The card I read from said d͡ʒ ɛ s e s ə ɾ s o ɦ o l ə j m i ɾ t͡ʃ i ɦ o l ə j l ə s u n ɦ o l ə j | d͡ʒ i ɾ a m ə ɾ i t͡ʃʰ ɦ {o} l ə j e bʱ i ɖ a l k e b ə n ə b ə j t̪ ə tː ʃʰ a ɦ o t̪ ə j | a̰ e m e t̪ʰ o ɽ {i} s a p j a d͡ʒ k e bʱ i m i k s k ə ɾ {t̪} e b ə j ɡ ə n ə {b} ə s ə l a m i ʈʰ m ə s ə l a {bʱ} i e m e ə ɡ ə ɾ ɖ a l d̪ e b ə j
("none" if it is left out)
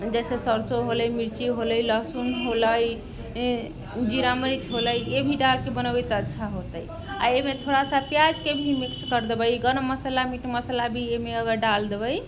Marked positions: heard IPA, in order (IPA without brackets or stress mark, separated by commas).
o, a, d̪, m, bʱ